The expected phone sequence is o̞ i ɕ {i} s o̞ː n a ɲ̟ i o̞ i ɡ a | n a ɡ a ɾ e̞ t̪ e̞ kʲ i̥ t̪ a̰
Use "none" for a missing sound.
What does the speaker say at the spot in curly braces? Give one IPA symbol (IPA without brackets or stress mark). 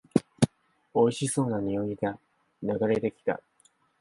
i